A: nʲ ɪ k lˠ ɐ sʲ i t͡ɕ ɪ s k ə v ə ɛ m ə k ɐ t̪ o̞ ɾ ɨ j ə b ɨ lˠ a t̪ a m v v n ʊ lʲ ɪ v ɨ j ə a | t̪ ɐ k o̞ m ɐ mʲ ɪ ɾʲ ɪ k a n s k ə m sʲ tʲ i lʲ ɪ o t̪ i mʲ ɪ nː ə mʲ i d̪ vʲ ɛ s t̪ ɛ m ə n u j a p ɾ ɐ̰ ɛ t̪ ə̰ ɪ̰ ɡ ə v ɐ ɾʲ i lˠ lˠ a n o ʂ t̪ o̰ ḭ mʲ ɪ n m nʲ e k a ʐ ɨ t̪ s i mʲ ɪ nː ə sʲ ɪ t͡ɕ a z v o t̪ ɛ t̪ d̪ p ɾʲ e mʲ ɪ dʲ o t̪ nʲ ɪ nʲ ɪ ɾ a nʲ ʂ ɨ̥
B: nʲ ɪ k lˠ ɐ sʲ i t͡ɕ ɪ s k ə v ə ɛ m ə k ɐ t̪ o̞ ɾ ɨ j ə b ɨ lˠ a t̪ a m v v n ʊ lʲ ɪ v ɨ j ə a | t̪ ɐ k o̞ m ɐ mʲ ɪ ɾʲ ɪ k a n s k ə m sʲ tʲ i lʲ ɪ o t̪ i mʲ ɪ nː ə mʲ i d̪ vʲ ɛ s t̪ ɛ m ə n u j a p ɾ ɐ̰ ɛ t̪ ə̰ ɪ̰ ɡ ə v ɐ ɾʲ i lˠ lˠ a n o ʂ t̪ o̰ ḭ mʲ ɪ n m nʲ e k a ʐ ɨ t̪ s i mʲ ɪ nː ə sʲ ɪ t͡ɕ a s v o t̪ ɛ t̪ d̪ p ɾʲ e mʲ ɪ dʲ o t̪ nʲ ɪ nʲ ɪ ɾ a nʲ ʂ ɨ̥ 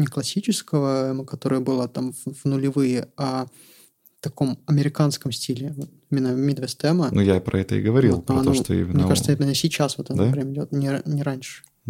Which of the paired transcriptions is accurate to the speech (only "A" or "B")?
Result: B